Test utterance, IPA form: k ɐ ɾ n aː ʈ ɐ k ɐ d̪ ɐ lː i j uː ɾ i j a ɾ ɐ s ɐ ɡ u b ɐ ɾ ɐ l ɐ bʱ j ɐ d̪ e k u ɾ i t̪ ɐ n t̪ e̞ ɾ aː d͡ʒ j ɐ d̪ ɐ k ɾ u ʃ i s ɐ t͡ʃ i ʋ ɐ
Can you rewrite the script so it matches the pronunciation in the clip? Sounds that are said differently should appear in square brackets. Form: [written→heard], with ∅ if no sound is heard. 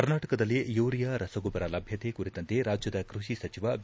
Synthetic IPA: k ɐ ɾ n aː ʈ ɐ k ɐ d̪ ɐ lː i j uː ɾ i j a ɾ ɐ s ɐ ɡ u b ɐ ɾ ɐ l ɐ bʱ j ɐ [d̪→t̪] e k u ɾ i t̪ ɐ n t̪ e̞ ɾ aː d͡ʒ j ɐ d̪ ɐ k ɾ u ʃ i s ɐ t͡ʃ i ʋ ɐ